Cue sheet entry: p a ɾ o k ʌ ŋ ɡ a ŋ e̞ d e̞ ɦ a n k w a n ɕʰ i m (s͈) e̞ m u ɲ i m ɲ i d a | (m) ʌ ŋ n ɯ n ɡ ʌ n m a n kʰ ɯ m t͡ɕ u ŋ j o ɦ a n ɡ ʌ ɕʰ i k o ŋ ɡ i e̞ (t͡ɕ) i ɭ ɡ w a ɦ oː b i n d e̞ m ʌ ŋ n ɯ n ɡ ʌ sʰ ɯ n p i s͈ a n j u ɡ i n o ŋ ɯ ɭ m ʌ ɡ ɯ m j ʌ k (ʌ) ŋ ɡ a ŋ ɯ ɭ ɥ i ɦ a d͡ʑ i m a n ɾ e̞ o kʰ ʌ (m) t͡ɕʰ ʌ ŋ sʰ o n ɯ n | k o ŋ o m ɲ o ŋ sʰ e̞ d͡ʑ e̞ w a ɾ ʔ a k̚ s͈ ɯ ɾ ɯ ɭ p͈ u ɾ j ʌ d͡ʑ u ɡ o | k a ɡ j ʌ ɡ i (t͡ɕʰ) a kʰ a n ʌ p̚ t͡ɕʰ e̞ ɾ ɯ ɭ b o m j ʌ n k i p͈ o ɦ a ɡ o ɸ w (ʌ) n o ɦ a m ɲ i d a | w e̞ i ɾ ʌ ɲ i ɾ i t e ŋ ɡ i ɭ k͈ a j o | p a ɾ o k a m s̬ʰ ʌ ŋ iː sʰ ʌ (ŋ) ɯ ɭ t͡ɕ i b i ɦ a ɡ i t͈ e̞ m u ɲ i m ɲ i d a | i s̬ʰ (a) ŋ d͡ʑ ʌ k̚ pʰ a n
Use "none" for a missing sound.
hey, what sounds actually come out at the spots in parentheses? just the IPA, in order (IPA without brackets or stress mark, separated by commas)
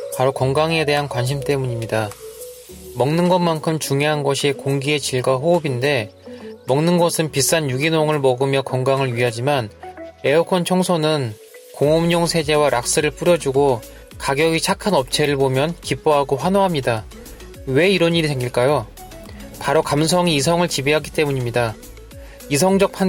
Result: t͈, m, t͡ɕ, ʌ, n, t͡ɕʰ, a, ŋ, ʌ